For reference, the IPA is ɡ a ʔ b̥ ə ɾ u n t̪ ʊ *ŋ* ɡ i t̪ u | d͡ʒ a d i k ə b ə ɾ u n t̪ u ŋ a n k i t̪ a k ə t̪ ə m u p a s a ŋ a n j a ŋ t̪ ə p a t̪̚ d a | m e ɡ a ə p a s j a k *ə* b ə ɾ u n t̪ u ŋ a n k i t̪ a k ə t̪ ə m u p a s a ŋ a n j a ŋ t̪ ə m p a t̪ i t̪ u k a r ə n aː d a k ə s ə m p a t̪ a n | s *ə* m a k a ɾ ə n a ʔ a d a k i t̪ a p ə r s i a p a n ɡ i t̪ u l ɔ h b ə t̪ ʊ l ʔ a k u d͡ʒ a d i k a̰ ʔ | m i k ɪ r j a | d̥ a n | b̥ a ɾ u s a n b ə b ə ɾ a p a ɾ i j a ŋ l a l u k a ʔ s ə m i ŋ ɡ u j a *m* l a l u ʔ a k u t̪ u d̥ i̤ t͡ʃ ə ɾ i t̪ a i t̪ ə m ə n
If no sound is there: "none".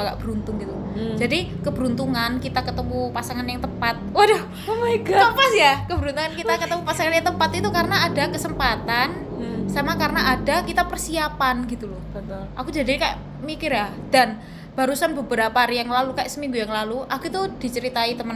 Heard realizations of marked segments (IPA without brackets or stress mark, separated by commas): ŋ, ə, a, ŋ